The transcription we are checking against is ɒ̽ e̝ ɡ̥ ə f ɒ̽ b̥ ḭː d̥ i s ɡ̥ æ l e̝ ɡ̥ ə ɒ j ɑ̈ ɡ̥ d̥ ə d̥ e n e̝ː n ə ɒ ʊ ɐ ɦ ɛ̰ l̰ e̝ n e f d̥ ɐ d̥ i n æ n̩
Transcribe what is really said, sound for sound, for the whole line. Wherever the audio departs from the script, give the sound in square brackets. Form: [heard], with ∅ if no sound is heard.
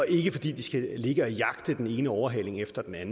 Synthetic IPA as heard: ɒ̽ e̝ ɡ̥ ə f ɒ̽ [d̥] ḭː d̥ i s ɡ̥ æ l e̝ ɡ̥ ə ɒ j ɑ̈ ɡ̥ d̥ ə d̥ e n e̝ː n ə ɒ ʊ ɐ ɦ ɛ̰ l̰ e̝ [ŋ] e f d̥ ɐ d̥ [e] n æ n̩